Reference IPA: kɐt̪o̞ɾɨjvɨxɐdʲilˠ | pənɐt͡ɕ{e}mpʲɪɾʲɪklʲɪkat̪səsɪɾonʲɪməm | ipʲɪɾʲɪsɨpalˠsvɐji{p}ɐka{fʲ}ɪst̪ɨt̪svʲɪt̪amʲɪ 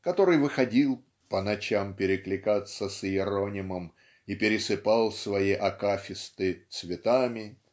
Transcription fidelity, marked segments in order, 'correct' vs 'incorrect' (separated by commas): incorrect, incorrect, correct